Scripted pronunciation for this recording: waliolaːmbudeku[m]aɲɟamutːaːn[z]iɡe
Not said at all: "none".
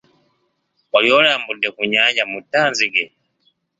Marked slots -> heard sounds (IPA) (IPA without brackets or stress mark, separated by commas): ɲ, z